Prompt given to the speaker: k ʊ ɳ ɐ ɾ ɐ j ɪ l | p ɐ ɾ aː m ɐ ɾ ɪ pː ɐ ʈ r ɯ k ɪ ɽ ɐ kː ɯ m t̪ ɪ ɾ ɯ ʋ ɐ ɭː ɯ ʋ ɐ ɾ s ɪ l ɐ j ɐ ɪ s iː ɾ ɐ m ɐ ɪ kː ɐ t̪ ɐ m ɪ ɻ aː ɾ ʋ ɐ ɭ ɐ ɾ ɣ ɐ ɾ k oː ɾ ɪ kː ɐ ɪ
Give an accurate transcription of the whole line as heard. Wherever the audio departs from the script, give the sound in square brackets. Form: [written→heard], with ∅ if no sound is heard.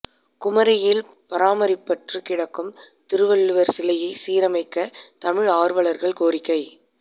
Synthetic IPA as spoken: k ʊ [ɳ→m] ɐ ɾ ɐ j ɪ l | p ɐ ɾ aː m ɐ ɾ ɪ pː ɐ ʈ r ɯ k ɪ ɽ ɐ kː ɯ m t̪ ɪ ɾ ɯ ʋ ɐ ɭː ɯ ʋ ɐ ɾ s ɪ l ɐ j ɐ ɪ s iː ɾ ɐ m ɐ ɪ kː ɐ t̪ ɐ m ɪ ɻ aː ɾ ʋ ɐ ɭ ɐ ɾ ɣ ɐ [ɾ→ɭ] k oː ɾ ɪ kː ɐ ɪ